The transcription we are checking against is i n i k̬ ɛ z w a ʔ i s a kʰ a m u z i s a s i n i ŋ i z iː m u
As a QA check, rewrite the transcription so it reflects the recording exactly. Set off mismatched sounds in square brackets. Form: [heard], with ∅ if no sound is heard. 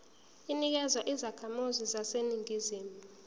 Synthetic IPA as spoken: i n i k̬ ɛ z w a ʔ i [z] a kʰ a m u z i [z] a s [e] n i ŋ i z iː m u